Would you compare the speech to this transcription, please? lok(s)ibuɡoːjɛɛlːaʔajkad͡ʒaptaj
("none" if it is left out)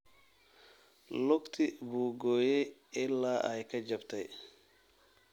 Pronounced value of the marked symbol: t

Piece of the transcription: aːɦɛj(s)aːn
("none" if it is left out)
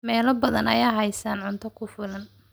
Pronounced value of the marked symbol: s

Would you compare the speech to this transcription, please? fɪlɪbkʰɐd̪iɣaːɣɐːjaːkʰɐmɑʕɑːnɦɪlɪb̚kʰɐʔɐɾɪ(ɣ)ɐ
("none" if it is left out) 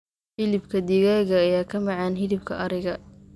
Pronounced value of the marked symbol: ɣ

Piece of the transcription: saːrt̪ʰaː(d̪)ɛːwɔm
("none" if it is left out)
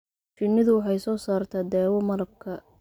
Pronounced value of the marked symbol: d̪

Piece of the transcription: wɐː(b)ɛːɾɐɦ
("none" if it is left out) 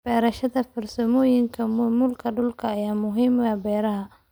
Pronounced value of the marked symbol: b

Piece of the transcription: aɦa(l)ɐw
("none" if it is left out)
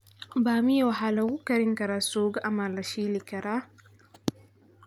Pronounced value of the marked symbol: l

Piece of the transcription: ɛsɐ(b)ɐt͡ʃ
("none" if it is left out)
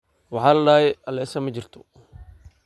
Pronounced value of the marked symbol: m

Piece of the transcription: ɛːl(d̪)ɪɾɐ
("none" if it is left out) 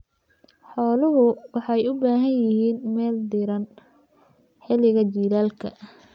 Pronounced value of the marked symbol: d̪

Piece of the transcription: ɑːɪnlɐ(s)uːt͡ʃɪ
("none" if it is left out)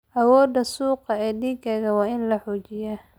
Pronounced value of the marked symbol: ħ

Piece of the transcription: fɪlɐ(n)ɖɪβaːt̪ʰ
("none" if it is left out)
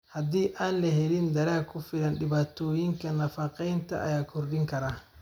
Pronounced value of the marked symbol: n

